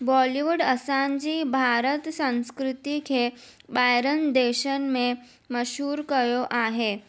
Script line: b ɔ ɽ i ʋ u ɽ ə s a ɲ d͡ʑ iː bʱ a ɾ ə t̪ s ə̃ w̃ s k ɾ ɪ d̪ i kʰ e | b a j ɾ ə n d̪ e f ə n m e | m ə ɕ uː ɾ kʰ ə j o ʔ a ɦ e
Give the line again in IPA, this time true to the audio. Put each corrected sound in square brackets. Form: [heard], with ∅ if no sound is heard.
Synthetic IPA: b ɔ [l] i ʋ u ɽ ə s a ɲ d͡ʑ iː bʱ a ɾ ə t̪ s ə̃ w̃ s k ɾ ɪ [t̪] i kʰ e | b a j ɾ ə n d̪ e [ɕ] ə n m e | m ə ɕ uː ɾ [k] ə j o ʔ a ɦ e